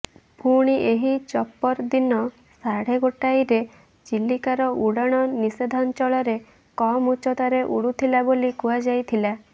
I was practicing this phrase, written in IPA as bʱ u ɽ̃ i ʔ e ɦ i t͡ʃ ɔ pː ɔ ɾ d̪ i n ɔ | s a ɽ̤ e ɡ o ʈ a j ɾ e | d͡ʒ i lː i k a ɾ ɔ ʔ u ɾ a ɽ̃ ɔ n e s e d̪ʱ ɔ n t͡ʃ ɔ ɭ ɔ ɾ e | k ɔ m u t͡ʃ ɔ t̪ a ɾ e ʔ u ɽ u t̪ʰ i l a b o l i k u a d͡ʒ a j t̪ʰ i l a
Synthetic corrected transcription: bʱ u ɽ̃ i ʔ e ɦ i t͡ʃ ɔ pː ɔ ɾ d̪ i n ɔ | s a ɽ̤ e ɡ o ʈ a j ɾ e | d͡ʒ i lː i k a ɾ ɔ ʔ u ɽ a ɽ̃ ɔ n i s e d̪ʱ ɔ n t͡ʃ ɔ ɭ ɔ ɾ e | k ɔ m u t͡ʃ ɔ t̪ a ɾ e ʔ u ɽ u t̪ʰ i l a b o l i k u a d͡ʒ a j t̪ʰ i l a